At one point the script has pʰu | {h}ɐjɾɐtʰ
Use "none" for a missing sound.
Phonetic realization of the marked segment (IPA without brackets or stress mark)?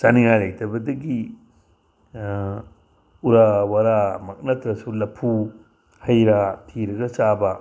h